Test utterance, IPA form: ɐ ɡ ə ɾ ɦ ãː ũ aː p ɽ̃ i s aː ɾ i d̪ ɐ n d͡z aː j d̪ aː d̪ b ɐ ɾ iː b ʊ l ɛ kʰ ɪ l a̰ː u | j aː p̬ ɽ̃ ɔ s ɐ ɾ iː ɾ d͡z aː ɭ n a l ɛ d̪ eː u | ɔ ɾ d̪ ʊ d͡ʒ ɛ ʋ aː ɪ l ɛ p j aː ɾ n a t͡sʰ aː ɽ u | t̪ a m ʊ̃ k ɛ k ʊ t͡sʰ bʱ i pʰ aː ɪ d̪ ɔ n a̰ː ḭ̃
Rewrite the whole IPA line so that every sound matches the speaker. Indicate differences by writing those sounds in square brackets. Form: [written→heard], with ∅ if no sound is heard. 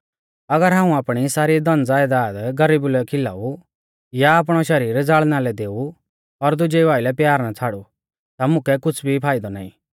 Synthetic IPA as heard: ɐ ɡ ə ɾ ɦ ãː ũ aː p ɽ̃ i s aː ɾ i d̪ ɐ n d͡z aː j d̪ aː d̪ [b→ɡ] ɐ ɾ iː b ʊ l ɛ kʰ ɪ l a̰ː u | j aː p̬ ɽ̃ ɔ [s→ʃ] ɐ ɾ iː ɾ d͡z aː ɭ n a l ɛ d̪ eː u | ɔ ɾ d̪ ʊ d͡ʒ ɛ ʋ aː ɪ l ɛ p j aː ɾ n a t͡sʰ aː ɽ u | t̪ a m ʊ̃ k ɛ k ʊ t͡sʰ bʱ i pʰ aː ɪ d̪ ɔ n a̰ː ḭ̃